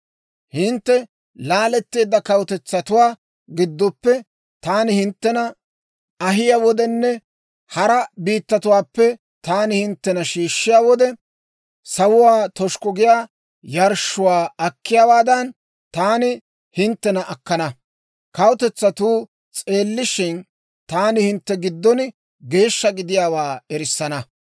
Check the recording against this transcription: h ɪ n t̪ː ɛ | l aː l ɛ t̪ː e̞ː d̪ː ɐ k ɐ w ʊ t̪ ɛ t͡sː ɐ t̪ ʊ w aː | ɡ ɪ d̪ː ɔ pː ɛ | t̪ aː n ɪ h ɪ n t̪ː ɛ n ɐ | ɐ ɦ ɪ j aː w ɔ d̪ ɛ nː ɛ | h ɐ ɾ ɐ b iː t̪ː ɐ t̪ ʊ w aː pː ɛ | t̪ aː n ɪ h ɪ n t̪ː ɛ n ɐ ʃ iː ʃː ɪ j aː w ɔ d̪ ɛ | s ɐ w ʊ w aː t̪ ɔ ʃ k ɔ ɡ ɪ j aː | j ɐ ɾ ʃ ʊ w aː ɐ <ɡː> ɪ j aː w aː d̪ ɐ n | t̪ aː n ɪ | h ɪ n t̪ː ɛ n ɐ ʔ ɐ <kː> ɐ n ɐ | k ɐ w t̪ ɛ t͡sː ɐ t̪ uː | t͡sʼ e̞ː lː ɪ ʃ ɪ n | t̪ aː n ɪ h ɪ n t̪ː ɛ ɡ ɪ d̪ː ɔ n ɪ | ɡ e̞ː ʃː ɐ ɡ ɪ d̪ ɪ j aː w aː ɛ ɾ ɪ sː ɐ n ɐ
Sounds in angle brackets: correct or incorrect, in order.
incorrect: kː, correct

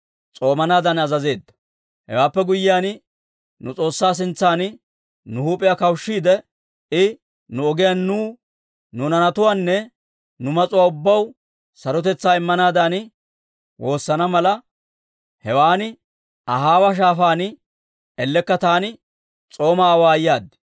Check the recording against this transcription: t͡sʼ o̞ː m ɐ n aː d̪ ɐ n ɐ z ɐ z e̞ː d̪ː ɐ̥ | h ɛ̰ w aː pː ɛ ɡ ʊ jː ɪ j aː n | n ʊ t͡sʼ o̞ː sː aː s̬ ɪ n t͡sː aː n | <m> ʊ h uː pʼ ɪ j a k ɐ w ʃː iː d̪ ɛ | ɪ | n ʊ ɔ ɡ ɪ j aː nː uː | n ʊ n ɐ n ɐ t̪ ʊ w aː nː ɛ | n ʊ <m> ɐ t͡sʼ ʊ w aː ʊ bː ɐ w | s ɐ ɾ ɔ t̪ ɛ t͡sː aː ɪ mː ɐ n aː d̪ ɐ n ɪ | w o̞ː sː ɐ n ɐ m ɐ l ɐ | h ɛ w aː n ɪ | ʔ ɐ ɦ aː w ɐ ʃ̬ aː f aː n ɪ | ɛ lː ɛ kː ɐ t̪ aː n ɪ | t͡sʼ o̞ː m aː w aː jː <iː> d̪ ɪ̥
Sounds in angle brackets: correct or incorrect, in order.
incorrect: n, correct, incorrect: aː

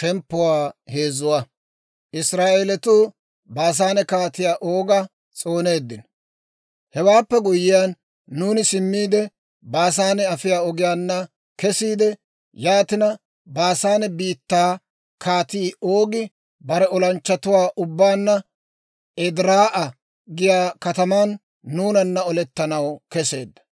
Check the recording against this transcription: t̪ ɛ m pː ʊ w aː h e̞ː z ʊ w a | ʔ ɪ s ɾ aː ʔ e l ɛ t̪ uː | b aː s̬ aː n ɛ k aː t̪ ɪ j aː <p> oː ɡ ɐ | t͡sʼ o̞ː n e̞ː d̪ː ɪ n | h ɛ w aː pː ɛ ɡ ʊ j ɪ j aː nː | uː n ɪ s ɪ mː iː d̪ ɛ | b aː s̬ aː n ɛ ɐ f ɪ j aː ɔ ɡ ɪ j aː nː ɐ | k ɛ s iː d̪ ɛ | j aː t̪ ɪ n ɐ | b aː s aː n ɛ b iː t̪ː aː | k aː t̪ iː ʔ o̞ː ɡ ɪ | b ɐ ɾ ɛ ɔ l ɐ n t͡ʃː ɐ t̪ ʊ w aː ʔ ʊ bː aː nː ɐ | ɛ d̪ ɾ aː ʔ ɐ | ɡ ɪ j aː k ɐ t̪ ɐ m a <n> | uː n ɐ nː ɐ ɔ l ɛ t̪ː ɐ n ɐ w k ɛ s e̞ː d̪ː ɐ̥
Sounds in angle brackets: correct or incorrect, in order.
incorrect: ʔ, incorrect: nː

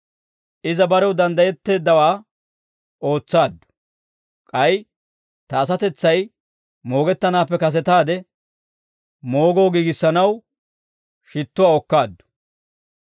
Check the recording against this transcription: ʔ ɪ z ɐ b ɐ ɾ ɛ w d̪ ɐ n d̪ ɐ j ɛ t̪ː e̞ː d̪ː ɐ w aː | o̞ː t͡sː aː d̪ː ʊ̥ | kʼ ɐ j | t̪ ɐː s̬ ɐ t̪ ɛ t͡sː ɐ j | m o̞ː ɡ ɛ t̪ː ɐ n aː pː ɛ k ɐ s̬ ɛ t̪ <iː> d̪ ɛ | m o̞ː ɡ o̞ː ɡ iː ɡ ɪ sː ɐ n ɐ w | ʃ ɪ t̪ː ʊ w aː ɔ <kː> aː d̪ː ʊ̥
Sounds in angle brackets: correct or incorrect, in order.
incorrect: aː, correct

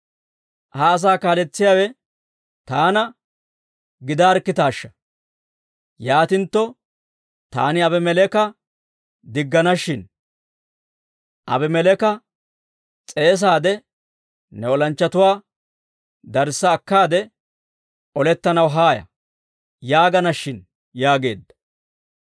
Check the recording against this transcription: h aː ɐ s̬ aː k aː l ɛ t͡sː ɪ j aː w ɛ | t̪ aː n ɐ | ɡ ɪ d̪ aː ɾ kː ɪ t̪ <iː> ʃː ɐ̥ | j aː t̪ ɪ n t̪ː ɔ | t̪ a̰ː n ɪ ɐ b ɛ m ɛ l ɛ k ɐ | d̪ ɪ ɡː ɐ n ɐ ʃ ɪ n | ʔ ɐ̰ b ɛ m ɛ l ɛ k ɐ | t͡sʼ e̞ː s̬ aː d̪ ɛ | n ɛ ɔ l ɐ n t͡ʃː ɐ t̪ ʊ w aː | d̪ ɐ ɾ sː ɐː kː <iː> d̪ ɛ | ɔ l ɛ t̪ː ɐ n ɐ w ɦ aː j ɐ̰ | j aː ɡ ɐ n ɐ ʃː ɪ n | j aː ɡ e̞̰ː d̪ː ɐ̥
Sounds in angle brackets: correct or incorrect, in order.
incorrect: aː, incorrect: aː

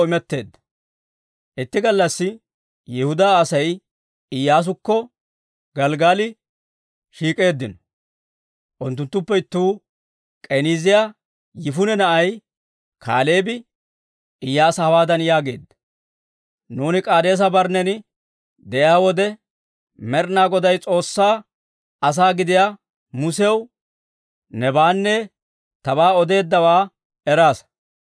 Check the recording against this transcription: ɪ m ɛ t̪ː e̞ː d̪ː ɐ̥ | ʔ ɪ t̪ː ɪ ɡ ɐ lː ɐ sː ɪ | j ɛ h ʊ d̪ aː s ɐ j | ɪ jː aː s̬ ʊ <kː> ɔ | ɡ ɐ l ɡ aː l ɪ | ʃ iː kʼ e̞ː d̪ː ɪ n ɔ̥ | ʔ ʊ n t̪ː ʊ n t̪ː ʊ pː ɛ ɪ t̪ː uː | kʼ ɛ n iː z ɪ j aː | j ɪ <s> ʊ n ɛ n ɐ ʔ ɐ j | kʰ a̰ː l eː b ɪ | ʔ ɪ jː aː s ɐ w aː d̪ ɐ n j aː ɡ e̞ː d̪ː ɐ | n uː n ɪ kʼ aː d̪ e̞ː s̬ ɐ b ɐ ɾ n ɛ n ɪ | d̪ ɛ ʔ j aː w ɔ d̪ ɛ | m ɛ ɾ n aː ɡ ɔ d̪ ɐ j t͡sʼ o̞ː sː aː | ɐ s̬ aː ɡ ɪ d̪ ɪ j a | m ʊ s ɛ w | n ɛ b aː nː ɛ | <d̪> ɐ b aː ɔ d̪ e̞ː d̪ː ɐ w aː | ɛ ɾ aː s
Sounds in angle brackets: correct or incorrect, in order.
correct, incorrect: f, incorrect: t̪

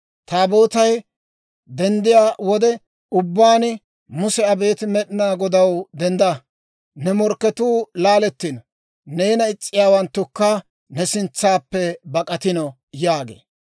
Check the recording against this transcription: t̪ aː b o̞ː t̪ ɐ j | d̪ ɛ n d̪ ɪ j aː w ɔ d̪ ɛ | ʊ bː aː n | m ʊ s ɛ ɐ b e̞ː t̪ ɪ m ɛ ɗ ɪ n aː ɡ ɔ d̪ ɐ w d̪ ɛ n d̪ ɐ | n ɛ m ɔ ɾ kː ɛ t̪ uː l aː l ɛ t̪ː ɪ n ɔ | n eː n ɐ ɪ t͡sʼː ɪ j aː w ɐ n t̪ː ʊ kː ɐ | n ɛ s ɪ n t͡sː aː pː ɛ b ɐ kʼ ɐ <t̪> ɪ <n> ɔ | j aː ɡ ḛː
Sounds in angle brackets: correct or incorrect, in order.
correct, correct

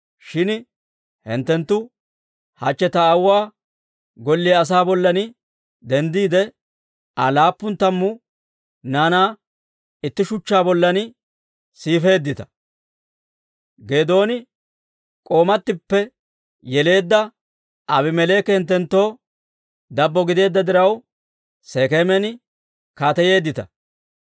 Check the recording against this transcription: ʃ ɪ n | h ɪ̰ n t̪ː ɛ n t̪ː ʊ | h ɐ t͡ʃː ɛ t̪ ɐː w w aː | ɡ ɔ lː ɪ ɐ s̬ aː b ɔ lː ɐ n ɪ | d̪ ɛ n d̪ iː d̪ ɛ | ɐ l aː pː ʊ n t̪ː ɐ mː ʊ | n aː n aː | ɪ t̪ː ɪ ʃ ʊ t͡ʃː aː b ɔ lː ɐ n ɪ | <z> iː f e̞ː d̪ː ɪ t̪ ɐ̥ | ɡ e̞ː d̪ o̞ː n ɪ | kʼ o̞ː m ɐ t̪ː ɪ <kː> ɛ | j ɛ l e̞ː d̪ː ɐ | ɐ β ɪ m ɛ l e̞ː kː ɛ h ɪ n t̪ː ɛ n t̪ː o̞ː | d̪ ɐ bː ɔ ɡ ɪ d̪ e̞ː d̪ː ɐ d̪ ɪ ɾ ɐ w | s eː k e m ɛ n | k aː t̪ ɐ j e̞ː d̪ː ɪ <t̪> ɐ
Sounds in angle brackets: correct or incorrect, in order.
incorrect: s, incorrect: pː, correct

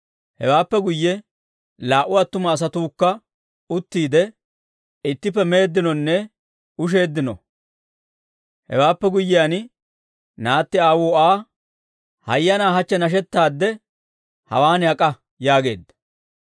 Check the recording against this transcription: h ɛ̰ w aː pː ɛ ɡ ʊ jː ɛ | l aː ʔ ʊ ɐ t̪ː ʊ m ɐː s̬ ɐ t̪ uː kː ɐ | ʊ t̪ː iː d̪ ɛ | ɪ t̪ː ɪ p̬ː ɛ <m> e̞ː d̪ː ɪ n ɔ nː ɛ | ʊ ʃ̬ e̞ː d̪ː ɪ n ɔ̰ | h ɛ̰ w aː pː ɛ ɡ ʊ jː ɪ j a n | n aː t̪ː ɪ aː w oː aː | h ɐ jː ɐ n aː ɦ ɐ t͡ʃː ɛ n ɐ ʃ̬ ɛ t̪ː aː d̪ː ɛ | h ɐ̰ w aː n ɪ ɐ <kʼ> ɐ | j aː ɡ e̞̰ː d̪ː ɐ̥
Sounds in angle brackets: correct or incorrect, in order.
correct, correct

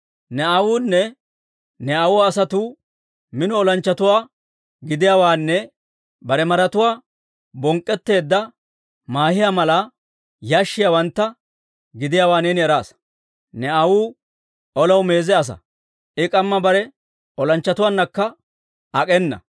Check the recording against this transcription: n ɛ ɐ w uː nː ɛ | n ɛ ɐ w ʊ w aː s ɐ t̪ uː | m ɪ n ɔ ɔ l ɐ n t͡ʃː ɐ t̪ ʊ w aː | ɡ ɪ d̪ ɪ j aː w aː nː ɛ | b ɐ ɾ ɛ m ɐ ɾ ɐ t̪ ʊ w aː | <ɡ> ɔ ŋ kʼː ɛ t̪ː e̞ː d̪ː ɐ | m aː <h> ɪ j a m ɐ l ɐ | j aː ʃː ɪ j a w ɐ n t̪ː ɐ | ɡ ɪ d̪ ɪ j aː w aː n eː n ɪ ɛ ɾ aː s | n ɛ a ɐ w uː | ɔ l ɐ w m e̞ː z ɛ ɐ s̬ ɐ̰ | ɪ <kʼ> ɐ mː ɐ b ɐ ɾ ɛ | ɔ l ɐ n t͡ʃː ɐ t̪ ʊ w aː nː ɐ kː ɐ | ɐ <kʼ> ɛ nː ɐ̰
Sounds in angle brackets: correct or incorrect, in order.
incorrect: b, correct, correct, correct

